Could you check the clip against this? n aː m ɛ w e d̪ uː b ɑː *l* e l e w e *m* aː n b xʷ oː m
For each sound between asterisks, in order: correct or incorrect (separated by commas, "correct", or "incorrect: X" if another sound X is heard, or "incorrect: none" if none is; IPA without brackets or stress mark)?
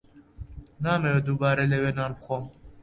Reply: incorrect: ɾ, incorrect: n